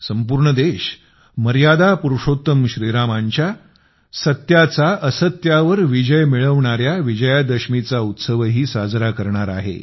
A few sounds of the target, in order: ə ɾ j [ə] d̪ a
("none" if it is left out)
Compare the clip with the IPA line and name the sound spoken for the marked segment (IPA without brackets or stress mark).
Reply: a